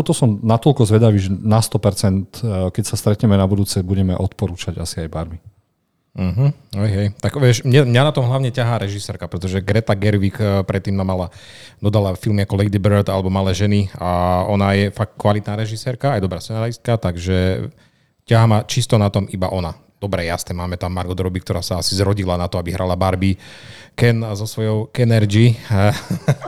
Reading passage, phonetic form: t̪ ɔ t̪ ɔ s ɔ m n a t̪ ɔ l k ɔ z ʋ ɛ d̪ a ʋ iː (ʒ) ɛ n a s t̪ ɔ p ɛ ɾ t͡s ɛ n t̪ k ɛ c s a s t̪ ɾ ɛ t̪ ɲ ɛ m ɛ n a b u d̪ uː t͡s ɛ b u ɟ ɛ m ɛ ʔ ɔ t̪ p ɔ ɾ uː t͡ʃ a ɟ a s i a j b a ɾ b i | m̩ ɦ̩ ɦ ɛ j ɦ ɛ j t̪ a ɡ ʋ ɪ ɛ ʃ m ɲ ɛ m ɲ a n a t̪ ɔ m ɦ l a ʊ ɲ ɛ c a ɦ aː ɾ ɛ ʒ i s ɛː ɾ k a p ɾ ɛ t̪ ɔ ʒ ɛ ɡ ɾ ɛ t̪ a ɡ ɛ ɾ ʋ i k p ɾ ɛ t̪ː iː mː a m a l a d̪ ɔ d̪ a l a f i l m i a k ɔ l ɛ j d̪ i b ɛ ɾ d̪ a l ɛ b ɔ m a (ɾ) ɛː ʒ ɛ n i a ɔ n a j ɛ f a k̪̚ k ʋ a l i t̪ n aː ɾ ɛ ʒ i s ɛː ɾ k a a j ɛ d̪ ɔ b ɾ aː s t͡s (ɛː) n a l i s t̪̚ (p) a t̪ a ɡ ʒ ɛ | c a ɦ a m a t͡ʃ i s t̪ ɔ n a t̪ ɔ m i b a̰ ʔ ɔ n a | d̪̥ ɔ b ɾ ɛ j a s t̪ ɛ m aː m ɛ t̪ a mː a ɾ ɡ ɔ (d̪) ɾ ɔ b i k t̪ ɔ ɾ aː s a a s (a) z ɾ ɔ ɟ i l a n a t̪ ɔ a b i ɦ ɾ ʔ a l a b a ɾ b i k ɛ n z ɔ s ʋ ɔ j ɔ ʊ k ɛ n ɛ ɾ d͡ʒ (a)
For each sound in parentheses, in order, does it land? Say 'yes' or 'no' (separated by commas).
yes, no, no, no, yes, no, no